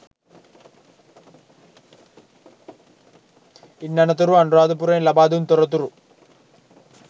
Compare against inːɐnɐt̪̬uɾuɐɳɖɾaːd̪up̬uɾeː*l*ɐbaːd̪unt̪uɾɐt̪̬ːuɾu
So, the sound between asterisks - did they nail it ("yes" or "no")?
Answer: yes